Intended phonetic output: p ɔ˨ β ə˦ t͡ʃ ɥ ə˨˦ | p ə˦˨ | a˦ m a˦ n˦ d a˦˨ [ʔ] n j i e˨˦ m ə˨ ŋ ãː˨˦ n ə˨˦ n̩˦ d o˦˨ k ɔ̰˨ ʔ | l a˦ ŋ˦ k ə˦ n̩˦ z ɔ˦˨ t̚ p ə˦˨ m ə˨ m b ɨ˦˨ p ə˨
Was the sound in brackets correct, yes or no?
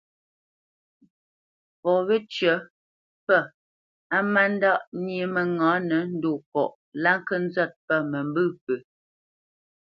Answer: yes